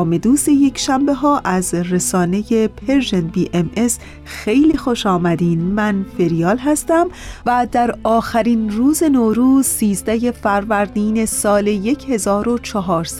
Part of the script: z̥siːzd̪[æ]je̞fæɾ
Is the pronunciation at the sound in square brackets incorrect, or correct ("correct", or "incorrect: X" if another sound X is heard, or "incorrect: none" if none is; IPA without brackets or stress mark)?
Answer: correct